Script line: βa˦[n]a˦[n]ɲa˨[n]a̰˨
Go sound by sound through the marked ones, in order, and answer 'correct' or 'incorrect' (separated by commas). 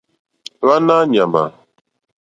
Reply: correct, incorrect, incorrect